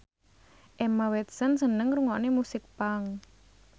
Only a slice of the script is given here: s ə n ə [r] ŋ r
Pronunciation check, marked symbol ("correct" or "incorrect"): incorrect